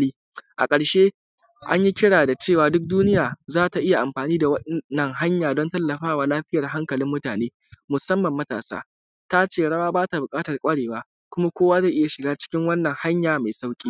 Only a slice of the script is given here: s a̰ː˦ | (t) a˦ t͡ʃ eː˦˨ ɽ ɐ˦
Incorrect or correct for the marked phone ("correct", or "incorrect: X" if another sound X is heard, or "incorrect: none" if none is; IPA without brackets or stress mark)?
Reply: correct